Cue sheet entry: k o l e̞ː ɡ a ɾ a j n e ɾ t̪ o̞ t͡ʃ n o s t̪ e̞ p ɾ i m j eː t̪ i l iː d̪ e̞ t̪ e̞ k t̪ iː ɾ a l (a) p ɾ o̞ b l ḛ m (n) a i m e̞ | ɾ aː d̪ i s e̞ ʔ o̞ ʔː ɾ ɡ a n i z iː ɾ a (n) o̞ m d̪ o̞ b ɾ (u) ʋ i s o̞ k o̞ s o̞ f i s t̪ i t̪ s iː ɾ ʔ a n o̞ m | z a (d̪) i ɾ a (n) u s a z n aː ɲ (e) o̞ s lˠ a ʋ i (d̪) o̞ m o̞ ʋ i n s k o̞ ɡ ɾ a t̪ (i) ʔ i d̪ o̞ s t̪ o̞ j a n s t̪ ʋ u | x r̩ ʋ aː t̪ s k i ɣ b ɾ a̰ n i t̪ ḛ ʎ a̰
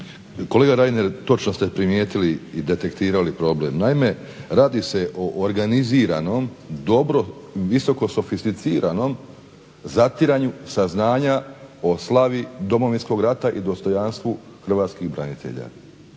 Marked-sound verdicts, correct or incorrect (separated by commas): incorrect, correct, correct, incorrect, incorrect, incorrect, incorrect, correct, incorrect